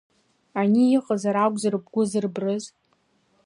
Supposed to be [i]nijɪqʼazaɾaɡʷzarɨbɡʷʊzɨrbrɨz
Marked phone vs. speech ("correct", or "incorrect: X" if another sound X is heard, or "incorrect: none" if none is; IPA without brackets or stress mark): incorrect: a